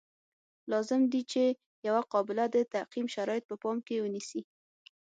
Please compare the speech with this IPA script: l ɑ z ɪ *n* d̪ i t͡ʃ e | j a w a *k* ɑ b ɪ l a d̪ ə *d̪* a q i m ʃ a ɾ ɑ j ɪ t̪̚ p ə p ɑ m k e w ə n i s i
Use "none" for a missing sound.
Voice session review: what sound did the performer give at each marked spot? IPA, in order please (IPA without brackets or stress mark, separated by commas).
m, q, t̪